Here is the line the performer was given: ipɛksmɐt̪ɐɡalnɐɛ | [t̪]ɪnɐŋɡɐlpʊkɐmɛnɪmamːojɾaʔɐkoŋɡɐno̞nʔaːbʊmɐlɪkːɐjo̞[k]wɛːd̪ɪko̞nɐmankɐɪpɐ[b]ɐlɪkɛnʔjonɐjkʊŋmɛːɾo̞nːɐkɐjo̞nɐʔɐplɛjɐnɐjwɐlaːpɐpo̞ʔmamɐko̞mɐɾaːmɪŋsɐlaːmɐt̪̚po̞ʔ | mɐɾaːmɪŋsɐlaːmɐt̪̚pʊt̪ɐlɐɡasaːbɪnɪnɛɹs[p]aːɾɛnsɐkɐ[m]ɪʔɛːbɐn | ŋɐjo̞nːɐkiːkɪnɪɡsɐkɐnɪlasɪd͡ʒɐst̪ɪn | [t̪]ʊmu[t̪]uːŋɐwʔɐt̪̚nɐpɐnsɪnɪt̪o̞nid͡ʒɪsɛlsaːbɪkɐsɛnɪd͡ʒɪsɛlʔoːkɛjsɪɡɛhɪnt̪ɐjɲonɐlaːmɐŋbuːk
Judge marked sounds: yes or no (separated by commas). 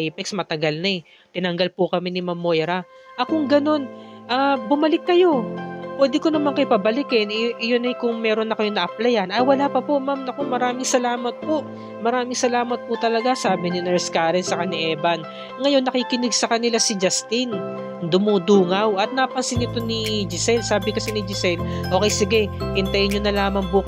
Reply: yes, no, yes, no, no, no, no